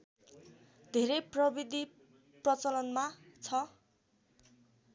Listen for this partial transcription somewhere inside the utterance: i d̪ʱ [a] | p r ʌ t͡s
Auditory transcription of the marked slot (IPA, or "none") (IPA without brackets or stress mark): i